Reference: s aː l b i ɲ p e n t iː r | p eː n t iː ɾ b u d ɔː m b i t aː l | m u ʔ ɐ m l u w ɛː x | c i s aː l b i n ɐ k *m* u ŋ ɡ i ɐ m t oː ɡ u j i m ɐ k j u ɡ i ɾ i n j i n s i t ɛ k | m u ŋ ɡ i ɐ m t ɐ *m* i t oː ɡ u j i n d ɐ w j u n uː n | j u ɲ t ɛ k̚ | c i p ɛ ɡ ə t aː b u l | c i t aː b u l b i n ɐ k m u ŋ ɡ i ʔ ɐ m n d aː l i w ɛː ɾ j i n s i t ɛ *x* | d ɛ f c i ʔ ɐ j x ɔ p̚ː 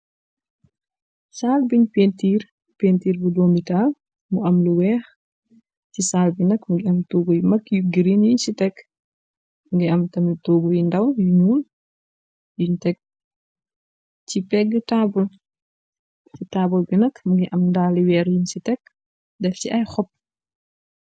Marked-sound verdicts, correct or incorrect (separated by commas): correct, correct, incorrect